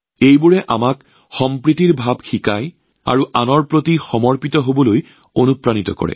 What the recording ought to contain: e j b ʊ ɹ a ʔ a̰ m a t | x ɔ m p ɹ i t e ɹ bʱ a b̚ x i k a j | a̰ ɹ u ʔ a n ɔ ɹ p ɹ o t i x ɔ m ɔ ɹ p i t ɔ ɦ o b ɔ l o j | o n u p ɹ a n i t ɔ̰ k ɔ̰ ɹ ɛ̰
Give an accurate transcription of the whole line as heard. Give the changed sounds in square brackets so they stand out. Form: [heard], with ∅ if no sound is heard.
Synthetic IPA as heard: e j b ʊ ɹ [ɛ] ʔ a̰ m a [k] | x ɔ m p ɹ i t [i] ɹ bʱ a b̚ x i k a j | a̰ ɹ u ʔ a n ɔ ɹ p ɹ o t i x ɔ m ɔ ɹ p i t ɔ ɦ o b ɔ l o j | o n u p ɹ a n i t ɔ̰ k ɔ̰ ɹ ɛ̰